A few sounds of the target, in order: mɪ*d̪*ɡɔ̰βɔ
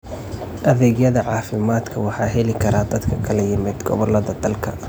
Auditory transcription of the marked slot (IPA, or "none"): d̪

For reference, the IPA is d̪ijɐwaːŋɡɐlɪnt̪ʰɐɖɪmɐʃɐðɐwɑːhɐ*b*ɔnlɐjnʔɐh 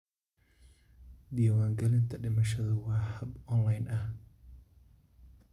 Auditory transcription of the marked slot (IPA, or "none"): b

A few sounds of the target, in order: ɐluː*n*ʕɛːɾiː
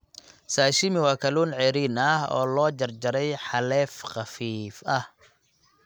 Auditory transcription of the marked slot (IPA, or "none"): n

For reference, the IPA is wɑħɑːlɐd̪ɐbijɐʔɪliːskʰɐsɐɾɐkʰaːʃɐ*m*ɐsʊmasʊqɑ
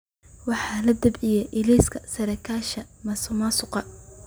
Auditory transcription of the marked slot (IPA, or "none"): m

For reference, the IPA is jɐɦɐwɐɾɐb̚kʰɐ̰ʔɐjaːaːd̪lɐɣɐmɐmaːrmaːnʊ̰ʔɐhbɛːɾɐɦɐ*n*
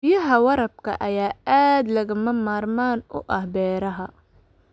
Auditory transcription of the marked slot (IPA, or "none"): none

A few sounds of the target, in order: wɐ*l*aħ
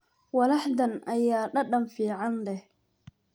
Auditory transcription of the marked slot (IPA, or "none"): l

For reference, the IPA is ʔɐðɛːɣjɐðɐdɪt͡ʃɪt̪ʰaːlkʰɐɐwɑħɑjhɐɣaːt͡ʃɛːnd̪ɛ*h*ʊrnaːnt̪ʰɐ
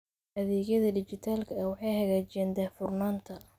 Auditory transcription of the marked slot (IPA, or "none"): f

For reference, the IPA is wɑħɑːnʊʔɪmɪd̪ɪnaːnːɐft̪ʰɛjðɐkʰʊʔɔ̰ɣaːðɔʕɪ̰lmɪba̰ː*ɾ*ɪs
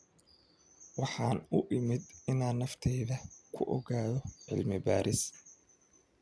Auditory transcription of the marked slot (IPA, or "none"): ɾ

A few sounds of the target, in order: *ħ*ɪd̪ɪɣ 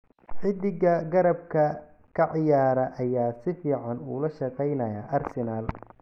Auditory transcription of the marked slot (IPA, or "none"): ħ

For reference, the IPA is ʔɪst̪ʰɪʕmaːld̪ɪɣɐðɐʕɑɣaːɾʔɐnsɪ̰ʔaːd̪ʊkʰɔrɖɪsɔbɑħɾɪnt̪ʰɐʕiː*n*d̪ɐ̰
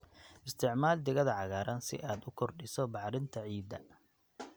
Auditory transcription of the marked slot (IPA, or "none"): none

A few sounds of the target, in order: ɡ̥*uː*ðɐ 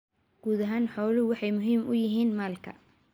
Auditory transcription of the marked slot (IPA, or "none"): uː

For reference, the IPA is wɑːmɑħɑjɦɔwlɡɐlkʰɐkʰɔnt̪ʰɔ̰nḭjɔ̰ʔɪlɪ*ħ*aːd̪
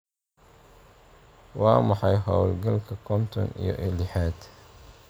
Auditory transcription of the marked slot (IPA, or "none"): ħ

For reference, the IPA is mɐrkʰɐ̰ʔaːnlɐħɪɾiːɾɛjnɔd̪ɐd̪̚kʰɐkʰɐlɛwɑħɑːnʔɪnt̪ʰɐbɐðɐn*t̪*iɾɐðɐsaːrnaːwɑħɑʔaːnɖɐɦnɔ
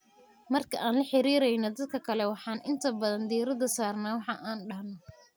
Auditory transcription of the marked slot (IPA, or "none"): d̪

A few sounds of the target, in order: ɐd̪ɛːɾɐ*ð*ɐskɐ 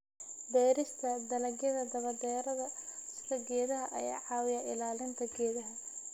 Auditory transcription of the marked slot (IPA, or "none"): ð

